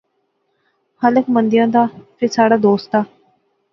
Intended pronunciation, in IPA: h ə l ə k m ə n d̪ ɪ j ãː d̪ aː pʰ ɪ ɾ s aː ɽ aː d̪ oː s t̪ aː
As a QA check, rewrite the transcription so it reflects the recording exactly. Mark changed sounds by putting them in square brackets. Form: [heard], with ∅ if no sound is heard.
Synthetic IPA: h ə l ə k m ə n d̪ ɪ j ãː d̪ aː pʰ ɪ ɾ s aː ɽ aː d̪ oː s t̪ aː